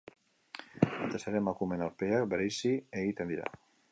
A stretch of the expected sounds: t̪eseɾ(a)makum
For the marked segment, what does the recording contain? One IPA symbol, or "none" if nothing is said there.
e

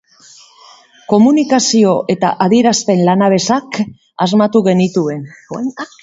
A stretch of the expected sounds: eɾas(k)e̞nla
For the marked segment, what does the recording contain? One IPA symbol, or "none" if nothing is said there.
p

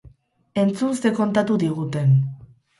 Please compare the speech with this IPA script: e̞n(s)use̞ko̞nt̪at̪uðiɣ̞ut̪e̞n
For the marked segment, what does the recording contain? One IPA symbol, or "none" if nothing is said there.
t͡s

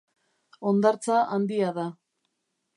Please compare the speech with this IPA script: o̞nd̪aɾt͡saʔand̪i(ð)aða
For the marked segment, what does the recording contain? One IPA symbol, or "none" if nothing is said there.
none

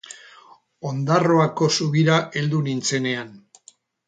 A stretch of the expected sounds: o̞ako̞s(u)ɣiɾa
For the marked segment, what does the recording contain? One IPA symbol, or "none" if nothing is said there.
u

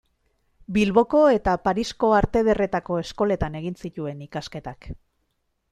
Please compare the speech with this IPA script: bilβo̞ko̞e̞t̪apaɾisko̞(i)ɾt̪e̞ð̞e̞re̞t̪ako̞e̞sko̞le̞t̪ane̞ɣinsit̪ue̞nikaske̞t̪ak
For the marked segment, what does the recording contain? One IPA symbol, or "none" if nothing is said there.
a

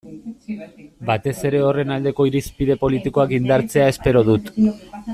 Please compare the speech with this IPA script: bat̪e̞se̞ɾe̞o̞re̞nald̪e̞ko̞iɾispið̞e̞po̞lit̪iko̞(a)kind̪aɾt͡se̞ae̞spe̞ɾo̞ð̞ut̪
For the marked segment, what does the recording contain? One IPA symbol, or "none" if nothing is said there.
a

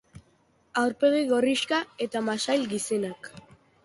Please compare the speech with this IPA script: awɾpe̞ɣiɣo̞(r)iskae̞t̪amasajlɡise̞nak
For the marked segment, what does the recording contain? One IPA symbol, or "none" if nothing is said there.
r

